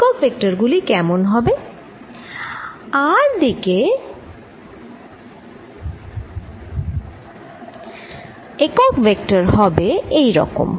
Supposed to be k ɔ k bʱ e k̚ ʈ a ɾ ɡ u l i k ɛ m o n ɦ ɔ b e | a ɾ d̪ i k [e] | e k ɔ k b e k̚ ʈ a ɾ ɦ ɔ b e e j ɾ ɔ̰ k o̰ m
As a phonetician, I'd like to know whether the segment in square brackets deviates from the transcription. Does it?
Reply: no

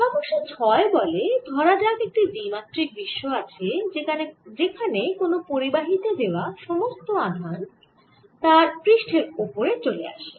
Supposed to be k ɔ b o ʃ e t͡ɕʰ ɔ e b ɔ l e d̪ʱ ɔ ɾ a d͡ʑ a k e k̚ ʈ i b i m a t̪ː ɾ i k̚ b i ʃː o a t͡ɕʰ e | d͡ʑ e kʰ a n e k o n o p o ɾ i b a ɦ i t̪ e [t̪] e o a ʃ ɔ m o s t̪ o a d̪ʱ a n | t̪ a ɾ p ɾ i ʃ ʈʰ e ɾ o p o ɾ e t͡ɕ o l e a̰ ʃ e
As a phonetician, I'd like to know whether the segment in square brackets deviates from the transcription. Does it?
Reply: yes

